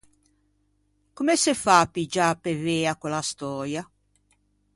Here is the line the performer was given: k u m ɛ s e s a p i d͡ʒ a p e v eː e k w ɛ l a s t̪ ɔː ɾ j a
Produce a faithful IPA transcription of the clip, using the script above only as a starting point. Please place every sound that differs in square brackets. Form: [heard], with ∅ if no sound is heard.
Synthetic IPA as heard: k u m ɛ s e [f] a p i d͡ʒ a p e v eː [a] k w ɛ l a s t̪ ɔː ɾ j a